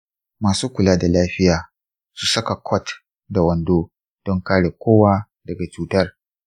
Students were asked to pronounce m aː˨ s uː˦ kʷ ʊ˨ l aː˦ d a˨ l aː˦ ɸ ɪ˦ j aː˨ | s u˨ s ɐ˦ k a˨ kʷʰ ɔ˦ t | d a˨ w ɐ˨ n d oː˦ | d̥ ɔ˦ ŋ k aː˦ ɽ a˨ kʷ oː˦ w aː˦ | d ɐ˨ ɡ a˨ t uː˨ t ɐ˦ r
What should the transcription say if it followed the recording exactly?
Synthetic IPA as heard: m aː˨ s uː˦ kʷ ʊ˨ l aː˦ d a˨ l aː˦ ɸ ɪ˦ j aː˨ | s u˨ s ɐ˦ k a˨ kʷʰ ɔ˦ t | d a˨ w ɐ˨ n d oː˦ | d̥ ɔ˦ ŋ k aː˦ ɽ e˨ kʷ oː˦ w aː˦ | d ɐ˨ ɡ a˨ t͡ʃ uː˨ t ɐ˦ r